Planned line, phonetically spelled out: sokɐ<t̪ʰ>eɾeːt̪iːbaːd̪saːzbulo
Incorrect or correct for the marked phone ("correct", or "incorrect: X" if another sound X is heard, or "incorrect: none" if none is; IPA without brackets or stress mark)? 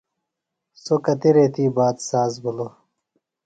incorrect: t̪